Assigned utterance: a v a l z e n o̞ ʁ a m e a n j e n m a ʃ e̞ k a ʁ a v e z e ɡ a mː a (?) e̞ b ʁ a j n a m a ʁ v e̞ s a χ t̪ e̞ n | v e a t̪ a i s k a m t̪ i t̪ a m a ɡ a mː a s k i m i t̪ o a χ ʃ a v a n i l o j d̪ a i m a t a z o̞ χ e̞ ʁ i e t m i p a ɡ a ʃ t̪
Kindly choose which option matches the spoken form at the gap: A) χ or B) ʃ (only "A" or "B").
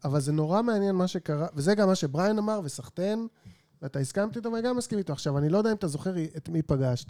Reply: B